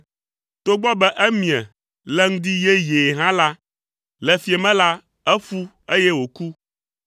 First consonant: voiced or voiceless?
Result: voiceless